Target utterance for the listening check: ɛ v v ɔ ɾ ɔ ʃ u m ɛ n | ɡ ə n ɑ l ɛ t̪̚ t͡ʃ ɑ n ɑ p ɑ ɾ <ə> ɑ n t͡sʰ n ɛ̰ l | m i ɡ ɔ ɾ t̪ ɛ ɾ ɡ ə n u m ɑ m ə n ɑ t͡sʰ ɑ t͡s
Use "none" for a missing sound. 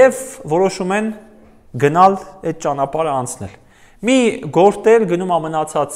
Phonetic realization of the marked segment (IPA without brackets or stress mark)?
ə